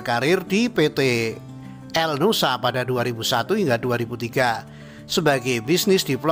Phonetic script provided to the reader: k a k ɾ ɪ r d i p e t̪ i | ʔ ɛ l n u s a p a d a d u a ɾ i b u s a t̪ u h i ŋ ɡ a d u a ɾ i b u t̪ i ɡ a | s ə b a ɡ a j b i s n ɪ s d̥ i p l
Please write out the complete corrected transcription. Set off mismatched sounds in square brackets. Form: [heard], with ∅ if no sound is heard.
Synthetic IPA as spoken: k a [∅] ɾ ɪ r d i p e t̪ [e] | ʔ ɛ l n u s a p a d a d u a ɾ i b u s a t̪ u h i ŋ ɡ a d u a ɾ i b u t̪ i ɡ a | s ə b a ɡ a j b i s n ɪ s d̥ i p l

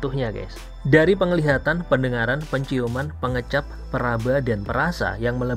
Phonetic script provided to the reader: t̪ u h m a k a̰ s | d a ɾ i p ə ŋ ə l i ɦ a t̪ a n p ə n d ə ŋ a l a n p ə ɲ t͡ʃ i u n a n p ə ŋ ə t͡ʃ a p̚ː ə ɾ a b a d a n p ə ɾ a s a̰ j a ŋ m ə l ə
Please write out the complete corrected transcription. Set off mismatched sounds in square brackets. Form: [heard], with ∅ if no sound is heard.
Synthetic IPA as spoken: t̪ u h [ɲ] a k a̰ s | d a ɾ i p ə ŋ ə l i ɦ a t̪ a n p ə n d ə ŋ a [ɾ] a n p ə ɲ t͡ʃ i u [m] a n p ə ŋ ə t͡ʃ a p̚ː ə ɾ a b a d a n p ə ɾ a s a̰ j a ŋ m ə l ə

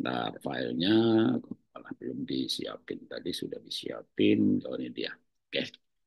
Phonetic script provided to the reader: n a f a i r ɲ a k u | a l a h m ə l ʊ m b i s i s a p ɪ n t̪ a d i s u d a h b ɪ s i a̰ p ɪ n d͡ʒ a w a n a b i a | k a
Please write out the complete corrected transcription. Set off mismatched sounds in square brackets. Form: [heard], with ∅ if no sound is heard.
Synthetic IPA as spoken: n a f a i [l] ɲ a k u | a l a h [b] ə l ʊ m [d] i s i [∅] a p ɪ n t̪ a d i s u d a h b [i] s i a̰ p ɪ n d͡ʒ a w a n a [d] i a | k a

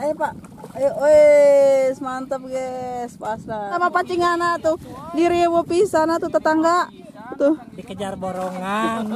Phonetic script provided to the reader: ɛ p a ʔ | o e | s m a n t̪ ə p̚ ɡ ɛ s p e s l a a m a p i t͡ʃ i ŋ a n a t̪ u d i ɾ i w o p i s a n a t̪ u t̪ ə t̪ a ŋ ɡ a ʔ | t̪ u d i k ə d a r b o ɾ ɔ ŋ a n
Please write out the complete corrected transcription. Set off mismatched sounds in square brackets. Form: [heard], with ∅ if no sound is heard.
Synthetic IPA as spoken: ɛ p a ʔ | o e | s m a n t̪ ə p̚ ɡ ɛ s p [a] s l a a m a p [a] t͡ʃ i ŋ a n a t̪ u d i ɾ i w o p i s a n a t̪ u t̪ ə t̪ a ŋ ɡ a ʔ | t̪ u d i k ə [d͡ʒ] a r b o ɾ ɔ ŋ a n

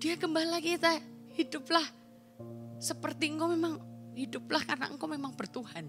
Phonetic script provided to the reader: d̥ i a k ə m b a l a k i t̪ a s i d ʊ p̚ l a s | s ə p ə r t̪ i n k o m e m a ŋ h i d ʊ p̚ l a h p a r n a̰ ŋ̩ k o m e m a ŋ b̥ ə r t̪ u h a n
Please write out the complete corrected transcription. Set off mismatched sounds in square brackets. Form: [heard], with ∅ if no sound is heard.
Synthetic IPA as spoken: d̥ i a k ə m b a l a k i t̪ a [h] i d ʊ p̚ l a [h] | s ə p ə r t̪ i [ŋ] k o m e m a ŋ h i d ʊ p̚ l a h [k] a r n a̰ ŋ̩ k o m e m a ŋ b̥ ə r t̪ u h a n

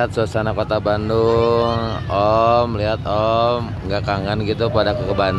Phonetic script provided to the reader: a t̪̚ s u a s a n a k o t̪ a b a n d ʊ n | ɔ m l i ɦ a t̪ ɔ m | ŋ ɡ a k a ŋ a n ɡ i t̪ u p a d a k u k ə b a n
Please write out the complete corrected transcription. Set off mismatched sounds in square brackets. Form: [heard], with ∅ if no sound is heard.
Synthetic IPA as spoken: a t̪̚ s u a s a n a k o t̪ a b a n d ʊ [ŋ] | ɔ m l i ɦ a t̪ ɔ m | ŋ ɡ a k a ŋ a n ɡ i t̪ u p a d a k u k ə b a n

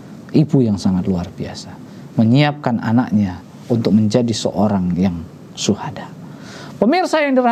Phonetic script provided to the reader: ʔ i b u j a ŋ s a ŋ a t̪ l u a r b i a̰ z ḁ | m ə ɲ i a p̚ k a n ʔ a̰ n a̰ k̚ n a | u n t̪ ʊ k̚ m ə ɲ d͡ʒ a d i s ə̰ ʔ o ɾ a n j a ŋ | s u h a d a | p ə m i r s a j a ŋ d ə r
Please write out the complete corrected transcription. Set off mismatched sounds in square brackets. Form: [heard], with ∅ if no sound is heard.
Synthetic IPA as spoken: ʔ i b u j a ŋ s a ŋ a t̪ l u a r b i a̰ [s] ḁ | m ə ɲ i a p̚ k a n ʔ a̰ n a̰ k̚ [ɲ] a | u n t̪ ʊ k̚ m ə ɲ d͡ʒ a d i s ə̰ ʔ o ɾ a [ŋ] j a ŋ | s u h a d a | p ə m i r s a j a ŋ d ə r

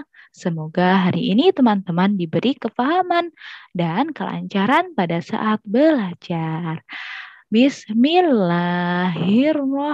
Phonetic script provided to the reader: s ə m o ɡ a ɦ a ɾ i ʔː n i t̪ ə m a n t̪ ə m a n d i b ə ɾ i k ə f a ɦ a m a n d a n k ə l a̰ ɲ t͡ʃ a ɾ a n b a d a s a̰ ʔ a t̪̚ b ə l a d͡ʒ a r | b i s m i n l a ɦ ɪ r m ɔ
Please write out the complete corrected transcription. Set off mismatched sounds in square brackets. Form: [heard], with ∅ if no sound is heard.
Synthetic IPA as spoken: s ə m o ɡ a ɦ a ɾ i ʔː n i t̪ ə m a n t̪ ə m a n d i b ə ɾ i k ə f a ɦ a m a n d a n k ə l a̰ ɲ t͡ʃ a ɾ a n [p] a d a s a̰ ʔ a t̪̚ b ə l a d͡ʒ a r | b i s m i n l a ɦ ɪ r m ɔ

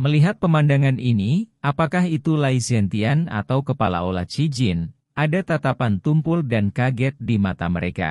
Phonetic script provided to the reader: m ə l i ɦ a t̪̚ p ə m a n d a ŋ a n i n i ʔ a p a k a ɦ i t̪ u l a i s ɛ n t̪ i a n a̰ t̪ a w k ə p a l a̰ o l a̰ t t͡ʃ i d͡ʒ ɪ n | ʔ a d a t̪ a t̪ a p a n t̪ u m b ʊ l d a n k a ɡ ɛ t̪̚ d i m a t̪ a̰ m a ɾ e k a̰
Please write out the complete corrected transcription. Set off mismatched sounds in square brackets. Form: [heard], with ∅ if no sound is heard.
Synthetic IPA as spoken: m ə l i ɦ a t̪̚ p ə m a n d a ŋ a n i n i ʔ a p a k a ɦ i t̪ u l a i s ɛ n t̪ i a n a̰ t̪ a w k ə p a l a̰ o l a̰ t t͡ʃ i d͡ʒ ɪ n | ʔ a d a t̪ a t̪ a p a n t̪ u m [p] ʊ l d a n k a ɡ ɛ t̪̚ d i m a t̪ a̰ m [ə] ɾ e k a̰

